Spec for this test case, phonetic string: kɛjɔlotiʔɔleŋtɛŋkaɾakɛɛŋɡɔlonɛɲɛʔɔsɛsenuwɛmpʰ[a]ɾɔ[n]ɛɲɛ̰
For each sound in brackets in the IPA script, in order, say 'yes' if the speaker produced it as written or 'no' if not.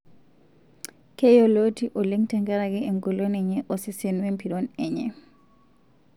no, yes

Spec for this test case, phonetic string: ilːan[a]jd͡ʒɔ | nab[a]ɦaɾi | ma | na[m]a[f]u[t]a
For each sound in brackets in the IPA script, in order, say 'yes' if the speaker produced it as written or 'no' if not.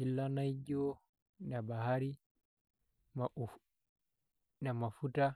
yes, yes, yes, yes, yes

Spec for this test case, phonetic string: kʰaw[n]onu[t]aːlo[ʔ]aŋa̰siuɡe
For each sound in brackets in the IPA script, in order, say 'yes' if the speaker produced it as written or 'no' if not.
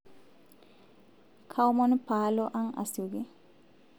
no, no, yes

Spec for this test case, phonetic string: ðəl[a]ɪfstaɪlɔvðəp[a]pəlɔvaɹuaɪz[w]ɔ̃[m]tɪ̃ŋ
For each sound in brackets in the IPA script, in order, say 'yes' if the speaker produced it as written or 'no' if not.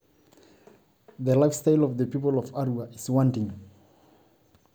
yes, no, yes, no

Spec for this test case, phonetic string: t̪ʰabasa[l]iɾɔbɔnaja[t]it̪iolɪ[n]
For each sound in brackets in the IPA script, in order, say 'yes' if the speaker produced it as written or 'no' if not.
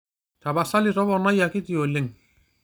yes, no, no

